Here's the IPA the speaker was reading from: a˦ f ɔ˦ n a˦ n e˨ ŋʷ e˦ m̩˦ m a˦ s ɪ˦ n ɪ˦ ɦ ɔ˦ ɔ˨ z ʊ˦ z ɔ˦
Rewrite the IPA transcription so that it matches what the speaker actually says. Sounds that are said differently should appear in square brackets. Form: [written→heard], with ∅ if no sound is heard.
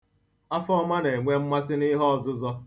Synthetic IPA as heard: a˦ f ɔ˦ [n→m] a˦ n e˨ ŋʷ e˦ m̩˦ m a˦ s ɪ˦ n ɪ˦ ɦ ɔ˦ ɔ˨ z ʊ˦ z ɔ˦